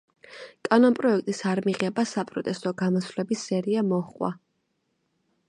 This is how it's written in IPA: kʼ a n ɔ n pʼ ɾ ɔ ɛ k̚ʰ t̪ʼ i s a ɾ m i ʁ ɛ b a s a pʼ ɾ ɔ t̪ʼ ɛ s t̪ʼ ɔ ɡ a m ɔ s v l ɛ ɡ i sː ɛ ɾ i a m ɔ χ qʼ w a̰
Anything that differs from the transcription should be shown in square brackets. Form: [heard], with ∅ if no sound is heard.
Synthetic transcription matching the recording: kʼ a n ɔ n pʼ ɾ ɔ ɛ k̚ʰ t̪ʼ i s a ɾ m i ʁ ɛ b a s a pʼ ɾ ɔ t̪ʼ ɛ s t̪ʼ ɔ ɡ a m ɔ s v l ɛ [b] i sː ɛ ɾ i a m ɔ χ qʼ w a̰